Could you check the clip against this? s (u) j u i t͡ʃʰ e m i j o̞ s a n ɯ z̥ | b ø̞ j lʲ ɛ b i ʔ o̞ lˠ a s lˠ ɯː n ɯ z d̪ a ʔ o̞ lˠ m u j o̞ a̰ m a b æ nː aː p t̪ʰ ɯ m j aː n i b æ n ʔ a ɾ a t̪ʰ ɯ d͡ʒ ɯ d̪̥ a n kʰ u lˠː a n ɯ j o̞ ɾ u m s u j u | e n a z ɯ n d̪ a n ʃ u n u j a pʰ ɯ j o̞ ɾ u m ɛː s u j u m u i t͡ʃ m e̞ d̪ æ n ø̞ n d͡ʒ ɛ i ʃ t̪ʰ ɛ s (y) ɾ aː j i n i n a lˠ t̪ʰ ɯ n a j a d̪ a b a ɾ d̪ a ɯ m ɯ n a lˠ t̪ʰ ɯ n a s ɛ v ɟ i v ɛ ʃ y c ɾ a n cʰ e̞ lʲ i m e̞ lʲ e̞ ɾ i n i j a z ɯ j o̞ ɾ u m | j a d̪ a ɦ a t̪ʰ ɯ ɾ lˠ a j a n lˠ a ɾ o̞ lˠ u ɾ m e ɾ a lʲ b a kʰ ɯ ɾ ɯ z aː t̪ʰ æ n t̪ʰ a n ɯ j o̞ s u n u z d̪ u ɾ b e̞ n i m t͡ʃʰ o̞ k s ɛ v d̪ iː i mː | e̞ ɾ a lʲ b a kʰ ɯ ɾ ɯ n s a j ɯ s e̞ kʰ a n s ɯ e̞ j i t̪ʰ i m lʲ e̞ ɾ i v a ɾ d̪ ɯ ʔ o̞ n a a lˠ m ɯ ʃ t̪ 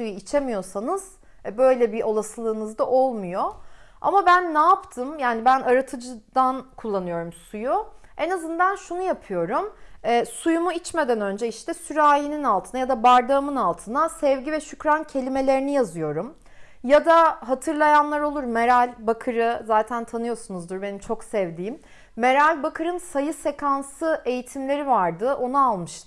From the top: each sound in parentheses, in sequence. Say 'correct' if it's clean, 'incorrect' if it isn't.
correct, correct

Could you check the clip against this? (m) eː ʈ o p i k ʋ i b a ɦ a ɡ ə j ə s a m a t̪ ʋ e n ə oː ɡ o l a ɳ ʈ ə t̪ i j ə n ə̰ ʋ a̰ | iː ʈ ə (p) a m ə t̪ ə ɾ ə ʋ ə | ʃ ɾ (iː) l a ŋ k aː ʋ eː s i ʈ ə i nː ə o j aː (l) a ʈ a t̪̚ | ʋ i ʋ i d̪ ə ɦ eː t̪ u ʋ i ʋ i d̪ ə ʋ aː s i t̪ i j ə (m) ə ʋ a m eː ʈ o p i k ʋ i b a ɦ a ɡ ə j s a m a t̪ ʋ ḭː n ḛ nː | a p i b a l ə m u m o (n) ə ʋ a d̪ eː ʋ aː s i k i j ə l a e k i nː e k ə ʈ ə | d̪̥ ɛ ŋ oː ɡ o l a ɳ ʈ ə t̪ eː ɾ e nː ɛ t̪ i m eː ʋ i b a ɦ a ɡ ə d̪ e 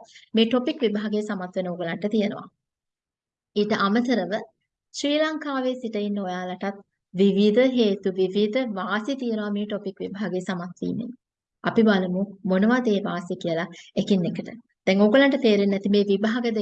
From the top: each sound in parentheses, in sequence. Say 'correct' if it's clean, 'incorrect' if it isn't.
correct, incorrect, correct, correct, incorrect, correct

